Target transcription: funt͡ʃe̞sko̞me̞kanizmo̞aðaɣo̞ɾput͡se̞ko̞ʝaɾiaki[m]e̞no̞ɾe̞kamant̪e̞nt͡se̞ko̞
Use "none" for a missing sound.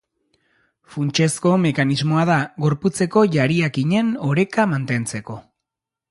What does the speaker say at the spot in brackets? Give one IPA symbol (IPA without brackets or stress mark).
ɲ